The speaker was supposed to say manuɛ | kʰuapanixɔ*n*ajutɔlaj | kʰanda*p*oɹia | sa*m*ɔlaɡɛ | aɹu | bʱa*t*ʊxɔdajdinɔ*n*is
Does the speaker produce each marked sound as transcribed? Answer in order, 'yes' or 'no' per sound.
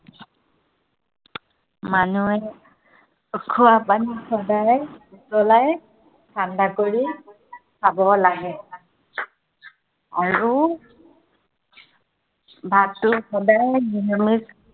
no, no, no, yes, no

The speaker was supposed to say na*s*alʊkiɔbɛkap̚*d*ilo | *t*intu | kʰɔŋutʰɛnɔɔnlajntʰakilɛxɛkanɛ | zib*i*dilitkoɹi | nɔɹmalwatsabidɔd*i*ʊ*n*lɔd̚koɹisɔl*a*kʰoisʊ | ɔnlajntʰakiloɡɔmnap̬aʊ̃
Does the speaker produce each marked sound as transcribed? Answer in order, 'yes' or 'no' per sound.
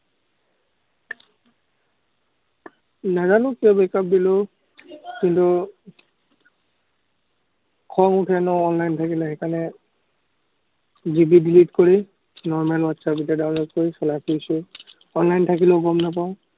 no, yes, no, yes, no, yes, yes

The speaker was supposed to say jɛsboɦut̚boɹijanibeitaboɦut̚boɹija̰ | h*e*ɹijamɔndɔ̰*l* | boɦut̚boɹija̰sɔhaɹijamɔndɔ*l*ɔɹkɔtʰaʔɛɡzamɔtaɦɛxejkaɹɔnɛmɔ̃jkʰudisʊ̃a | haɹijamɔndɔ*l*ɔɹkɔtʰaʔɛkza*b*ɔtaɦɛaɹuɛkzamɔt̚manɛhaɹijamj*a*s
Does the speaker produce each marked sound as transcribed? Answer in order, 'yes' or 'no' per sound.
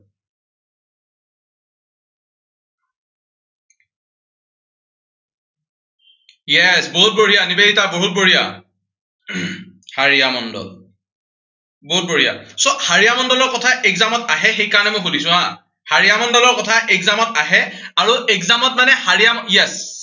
no, yes, yes, yes, no, no

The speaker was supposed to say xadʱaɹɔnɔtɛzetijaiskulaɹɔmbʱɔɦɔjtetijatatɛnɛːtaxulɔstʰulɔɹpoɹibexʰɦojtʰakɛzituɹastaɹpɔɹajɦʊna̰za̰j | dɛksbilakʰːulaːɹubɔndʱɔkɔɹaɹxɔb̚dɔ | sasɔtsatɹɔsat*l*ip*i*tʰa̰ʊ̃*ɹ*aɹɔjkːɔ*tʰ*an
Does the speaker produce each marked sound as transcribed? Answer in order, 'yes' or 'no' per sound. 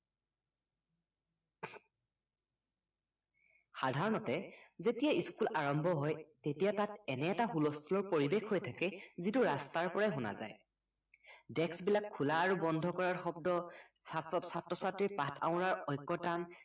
no, no, yes, no

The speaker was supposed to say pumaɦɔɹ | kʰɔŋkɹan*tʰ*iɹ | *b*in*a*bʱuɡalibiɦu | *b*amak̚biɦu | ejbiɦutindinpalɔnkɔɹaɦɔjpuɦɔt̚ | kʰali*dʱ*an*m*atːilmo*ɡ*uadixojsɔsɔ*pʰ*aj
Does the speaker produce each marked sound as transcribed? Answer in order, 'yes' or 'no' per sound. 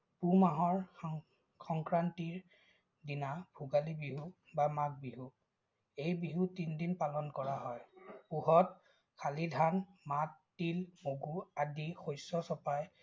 no, no, yes, yes, yes, yes, yes, no

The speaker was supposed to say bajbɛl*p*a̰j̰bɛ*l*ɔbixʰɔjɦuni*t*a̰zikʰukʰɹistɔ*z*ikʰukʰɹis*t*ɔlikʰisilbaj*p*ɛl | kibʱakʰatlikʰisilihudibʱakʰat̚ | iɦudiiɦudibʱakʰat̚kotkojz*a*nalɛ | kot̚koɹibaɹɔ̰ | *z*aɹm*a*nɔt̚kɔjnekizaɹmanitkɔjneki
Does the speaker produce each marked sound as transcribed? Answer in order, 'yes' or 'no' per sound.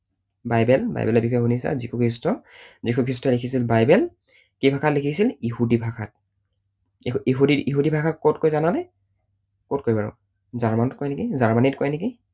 no, yes, no, yes, yes, no, yes, yes, yes

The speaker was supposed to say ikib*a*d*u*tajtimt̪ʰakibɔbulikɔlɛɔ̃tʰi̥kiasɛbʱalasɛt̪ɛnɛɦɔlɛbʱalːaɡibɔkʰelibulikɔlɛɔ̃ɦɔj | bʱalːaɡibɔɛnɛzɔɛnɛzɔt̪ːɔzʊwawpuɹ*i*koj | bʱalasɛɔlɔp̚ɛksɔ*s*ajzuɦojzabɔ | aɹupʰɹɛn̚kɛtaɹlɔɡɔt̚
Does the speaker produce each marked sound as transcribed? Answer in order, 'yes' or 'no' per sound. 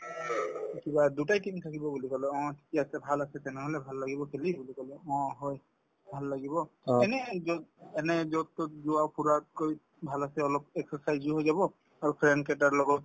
yes, yes, no, yes

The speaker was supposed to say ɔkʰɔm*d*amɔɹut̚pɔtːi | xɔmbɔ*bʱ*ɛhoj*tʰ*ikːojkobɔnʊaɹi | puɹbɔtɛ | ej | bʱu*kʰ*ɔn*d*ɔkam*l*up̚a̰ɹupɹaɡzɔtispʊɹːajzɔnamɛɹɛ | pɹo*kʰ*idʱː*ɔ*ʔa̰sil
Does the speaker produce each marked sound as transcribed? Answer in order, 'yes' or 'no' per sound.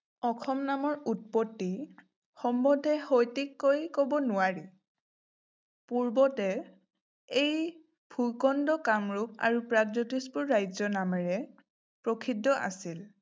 no, no, no, no, yes, no, yes, yes

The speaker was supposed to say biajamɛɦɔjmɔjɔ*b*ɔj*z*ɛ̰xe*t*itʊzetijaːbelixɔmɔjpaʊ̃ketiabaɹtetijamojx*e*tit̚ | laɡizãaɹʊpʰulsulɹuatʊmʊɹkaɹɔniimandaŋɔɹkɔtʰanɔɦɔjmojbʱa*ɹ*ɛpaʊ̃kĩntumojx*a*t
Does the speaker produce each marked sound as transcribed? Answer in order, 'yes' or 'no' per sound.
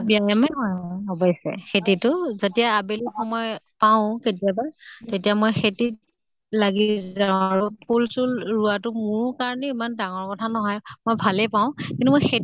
yes, no, yes, yes, no, no

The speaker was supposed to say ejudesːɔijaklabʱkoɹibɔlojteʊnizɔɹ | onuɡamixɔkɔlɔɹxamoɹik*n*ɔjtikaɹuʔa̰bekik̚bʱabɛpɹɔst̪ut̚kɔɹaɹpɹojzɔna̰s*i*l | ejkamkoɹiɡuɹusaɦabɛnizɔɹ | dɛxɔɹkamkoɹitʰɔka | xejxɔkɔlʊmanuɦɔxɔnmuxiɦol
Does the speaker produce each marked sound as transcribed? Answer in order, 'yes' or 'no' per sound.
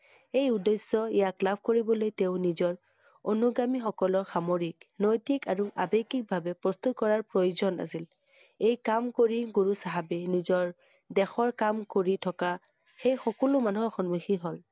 yes, yes

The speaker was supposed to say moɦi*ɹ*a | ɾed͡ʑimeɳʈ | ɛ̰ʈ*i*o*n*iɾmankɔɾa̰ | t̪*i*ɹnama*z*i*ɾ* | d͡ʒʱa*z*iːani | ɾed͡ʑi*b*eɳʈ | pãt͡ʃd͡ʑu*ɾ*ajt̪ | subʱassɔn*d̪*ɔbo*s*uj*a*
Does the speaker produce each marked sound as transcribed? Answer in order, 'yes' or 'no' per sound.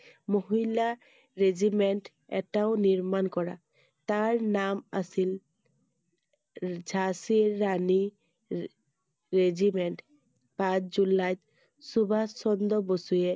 no, no, yes, no, no, no, no, no, no, yes, yes, no

